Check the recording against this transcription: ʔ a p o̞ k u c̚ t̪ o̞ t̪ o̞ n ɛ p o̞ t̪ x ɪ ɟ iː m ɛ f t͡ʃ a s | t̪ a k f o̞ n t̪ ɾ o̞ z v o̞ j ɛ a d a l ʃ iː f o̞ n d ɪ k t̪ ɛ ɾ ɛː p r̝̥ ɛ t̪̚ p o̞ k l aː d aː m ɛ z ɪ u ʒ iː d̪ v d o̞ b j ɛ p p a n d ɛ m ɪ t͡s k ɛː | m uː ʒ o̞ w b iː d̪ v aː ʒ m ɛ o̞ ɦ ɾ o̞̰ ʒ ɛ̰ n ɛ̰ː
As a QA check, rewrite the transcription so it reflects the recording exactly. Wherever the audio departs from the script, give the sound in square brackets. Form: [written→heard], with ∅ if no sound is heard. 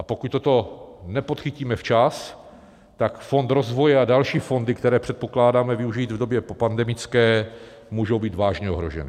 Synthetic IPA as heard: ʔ a p o̞ k u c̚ t̪ o̞ t̪ o̞ n ɛ p o̞ t̪ x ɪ [ɟ→c] iː m ɛ f t͡ʃ a s | t̪ a k f o̞ n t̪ ɾ o̞ z v o̞ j ɛ a d a l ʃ iː f o̞ n d ɪ k t̪ ɛ ɾ ɛː p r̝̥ ɛ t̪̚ p o̞ k l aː d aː m ɛ [z→v] ɪ u ʒ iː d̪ v d o̞ b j ɛ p p a n d ɛ m ɪ t͡s k ɛː | m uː ʒ o̞ w b iː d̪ v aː ʒ [m→ɲ] ɛ o̞ ɦ ɾ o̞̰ ʒ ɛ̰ n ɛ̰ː